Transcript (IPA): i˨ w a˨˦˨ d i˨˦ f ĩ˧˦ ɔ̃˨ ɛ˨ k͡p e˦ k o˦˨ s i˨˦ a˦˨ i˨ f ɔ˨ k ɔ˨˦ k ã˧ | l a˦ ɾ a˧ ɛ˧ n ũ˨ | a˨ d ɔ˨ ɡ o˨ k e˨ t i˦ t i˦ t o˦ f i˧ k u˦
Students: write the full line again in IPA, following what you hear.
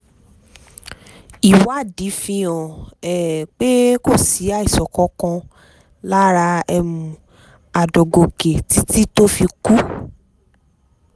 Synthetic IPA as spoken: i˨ w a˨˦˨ d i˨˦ f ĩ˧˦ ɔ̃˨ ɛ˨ k͡p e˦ k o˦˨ s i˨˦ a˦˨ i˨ s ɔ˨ k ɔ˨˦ k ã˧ | l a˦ ɾ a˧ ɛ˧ m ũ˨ | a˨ d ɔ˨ ɡ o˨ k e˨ t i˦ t i˦ t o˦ f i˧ k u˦